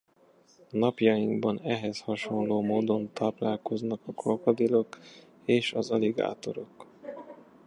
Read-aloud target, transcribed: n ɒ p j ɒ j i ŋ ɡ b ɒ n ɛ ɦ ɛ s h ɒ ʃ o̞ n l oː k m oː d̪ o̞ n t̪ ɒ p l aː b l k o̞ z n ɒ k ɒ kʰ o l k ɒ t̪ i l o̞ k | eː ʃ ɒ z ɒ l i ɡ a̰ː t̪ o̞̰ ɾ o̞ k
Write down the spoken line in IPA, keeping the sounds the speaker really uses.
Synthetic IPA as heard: n ɒ p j ɒ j i ŋ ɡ b ɒ n ɛ ɦ ɛ s h ɒ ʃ o̞ n l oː m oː d̪ o̞ n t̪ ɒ p l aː l k o̞ z n ɒ k ɒ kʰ o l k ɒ d̪ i l o̞ k | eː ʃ ɒ z ɒ l i ɡ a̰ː t̪ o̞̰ ɾ o̞ k